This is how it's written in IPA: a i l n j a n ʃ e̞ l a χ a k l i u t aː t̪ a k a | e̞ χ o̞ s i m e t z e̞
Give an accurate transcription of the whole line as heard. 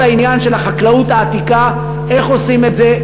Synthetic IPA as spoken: a i n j a n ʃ e̞ l a χ a k l a u t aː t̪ i k a | e̞ χ o̞ s i m e t z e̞